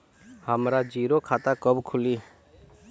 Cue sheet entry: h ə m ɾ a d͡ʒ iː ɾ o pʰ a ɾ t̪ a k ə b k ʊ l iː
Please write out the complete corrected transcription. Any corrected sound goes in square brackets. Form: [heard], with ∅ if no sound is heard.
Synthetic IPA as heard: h ə m ɾ a d͡ʒ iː ɾ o [kʰ] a [∅] t̪ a k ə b [kʰ] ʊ l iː